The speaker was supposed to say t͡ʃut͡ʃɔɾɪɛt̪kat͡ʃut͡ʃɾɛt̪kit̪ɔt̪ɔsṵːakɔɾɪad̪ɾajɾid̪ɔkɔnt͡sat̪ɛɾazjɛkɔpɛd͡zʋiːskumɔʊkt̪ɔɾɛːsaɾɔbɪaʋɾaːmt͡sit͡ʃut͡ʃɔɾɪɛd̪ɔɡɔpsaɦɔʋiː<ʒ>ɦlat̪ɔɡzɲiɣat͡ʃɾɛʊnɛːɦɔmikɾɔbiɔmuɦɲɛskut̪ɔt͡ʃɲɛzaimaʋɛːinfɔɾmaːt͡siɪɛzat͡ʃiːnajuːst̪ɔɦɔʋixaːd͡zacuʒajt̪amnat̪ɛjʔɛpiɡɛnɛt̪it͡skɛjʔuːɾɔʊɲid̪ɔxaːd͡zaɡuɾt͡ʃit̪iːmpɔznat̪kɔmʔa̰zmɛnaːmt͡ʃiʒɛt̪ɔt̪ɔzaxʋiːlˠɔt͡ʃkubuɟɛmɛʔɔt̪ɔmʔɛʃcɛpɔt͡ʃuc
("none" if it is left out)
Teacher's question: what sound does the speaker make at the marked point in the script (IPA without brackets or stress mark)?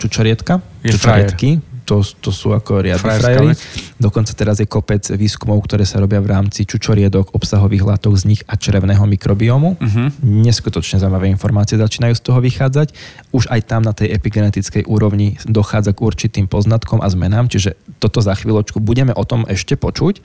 ɣ